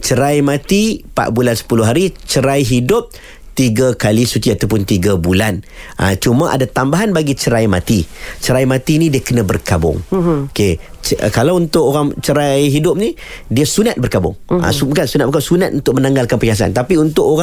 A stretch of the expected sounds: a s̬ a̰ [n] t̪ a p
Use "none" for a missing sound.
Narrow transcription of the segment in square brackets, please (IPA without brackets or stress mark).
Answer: n